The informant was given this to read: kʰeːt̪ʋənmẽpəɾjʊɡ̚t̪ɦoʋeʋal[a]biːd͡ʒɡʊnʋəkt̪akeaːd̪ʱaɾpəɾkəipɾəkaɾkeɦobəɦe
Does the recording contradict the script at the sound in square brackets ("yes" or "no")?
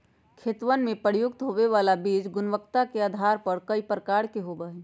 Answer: no